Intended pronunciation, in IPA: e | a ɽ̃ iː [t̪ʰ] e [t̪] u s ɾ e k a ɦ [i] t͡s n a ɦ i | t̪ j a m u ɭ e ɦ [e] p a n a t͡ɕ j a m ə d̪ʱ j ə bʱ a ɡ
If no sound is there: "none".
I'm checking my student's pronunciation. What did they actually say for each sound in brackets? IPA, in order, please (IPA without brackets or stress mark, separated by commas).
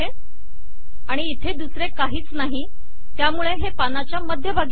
t̪ʰ, d̪, iː, e